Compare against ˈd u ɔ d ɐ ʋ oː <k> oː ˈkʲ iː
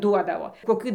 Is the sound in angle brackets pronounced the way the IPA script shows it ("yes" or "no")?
yes